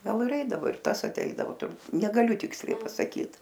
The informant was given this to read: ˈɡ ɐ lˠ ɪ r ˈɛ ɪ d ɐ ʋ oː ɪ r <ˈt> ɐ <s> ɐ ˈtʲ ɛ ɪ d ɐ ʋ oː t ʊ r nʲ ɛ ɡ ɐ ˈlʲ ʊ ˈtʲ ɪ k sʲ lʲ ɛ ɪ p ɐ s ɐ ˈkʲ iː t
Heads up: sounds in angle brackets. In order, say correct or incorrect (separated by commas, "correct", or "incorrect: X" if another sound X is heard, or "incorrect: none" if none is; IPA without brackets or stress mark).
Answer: correct, correct